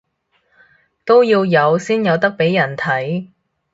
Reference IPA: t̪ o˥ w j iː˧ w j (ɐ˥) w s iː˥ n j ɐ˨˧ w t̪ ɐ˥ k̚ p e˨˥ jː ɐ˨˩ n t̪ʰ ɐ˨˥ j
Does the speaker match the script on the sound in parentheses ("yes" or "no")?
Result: no